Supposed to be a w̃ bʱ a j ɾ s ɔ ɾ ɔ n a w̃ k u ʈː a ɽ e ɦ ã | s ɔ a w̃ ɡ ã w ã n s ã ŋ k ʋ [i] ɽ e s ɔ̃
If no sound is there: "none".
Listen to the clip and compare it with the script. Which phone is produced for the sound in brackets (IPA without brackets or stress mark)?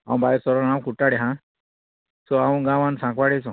a